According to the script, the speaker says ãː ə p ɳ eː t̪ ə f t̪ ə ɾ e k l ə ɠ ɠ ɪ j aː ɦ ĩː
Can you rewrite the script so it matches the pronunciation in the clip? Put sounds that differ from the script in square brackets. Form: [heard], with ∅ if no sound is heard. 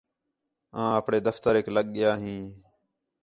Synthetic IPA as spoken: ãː ə p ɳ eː [d̪] ə f t̪ ə ɾ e k l ə ɠ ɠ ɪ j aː ɦ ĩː